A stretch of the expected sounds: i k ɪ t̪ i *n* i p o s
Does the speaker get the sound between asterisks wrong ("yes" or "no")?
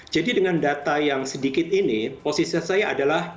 no